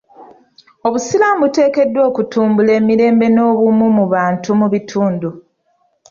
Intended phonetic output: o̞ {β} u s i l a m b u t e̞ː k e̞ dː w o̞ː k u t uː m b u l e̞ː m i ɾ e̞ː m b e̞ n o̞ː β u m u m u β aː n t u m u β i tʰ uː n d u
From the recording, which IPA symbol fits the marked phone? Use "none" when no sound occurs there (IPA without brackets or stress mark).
β